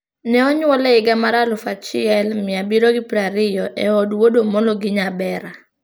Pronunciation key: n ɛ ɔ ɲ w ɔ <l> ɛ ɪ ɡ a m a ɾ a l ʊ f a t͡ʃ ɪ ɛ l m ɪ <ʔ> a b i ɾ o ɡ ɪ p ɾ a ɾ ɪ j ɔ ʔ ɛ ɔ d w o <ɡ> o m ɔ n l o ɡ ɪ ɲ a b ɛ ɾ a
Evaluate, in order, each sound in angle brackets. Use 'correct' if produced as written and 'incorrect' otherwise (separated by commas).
correct, incorrect, incorrect